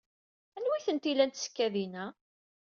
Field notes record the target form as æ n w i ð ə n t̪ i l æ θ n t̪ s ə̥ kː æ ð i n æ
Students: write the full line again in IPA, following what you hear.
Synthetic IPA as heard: æ n w i θ ə n t̪ i l æ n t̪ s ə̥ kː æ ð i n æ